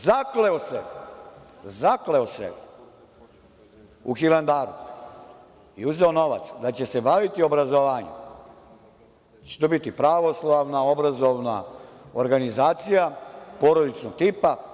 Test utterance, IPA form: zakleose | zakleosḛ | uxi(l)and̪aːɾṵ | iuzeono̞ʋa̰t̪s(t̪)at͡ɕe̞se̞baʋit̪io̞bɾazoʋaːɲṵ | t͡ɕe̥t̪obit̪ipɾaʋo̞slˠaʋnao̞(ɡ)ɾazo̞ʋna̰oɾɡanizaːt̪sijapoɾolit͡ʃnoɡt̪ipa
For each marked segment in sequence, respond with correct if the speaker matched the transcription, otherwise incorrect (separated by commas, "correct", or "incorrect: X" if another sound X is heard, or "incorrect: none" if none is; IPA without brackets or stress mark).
correct, incorrect: d̪, incorrect: b